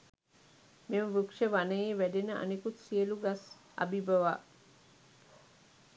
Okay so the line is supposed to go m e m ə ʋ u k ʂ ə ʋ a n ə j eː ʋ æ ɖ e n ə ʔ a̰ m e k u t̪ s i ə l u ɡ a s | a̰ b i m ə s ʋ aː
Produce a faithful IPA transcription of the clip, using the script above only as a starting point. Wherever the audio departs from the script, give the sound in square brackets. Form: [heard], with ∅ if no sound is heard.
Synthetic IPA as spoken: m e m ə ʋ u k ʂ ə ʋ a n ə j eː ʋ æ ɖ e n ə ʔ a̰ [n] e k u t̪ s i ə l u ɡ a s | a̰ b i [b] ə [∅] ʋ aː

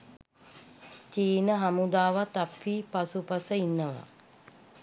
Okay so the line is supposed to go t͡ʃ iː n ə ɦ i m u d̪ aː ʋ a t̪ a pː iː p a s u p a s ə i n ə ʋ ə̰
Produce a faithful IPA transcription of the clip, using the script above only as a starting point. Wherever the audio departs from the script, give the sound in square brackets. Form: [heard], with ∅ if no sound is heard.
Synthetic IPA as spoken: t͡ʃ iː n ə ɦ [a] m u d̪ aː ʋ a t̪ a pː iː p a s u p a s ə i [nː] ə ʋ [a̰]

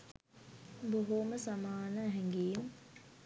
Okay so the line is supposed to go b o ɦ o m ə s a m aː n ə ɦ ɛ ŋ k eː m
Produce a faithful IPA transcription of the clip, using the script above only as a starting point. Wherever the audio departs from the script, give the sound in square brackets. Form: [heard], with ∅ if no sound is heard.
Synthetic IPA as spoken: b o ɦ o m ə s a m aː n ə ɦ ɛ ŋ [ɡ] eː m

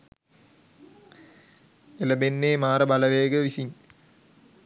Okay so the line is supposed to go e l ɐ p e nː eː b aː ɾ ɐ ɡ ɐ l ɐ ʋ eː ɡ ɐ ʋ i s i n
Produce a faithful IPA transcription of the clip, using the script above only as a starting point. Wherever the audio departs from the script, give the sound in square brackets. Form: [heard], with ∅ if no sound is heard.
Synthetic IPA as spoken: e l ɐ [b] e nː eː [m] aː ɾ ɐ [b] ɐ l ɐ ʋ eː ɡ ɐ ʋ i s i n

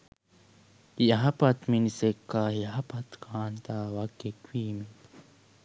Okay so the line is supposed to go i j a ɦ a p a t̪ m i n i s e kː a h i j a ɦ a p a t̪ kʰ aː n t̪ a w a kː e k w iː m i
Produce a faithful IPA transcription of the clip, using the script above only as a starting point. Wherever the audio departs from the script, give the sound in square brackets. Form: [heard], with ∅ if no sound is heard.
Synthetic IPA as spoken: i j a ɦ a p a t̪ m i n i s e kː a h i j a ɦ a p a t̪ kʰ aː n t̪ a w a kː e k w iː m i

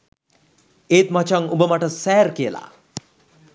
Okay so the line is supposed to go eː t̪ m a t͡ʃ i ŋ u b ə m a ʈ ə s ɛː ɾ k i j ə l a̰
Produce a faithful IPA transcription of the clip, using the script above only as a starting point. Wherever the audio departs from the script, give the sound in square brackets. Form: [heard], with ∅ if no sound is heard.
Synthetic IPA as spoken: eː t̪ m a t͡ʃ [a] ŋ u b ə m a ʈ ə s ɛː ɾ k i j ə l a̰

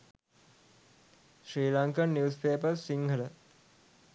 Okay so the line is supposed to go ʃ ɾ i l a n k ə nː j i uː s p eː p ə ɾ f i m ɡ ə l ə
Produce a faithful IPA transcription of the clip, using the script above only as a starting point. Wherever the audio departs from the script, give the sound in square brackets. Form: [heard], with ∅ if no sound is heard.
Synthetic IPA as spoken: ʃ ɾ [iː] l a [ŋ] k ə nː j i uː s p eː p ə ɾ [s] i [ŋ] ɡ ə l ə

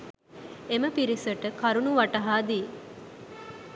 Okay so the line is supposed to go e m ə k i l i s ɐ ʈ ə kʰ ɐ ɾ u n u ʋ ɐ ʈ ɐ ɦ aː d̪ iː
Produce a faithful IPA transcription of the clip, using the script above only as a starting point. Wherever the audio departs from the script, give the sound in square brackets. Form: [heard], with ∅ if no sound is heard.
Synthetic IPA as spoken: e m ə [p] i [ɾ] i s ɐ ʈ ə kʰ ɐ ɾ u n u ʋ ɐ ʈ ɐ ɦ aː d̪ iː

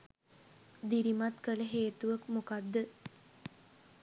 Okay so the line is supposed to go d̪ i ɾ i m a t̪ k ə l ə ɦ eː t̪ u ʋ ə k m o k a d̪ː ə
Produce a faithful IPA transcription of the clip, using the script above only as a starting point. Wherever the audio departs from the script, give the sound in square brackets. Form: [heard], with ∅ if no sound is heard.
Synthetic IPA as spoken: d̪ i ɾ i m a t̪ k ə l ə ɦ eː t̪ u ʋ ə k m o k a d̪ː ə

